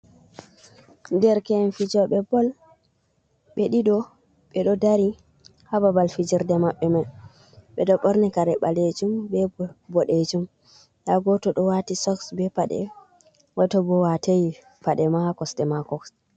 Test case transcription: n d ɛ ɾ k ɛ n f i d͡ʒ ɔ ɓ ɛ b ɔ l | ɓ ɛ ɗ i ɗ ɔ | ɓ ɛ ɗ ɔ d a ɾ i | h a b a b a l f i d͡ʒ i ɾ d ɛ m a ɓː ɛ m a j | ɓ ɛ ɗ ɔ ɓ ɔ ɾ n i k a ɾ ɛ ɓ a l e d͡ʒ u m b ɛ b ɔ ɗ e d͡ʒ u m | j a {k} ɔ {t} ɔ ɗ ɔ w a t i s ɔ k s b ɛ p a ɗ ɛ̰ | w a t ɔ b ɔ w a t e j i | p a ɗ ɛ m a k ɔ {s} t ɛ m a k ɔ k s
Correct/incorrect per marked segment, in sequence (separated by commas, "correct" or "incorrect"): incorrect, correct, correct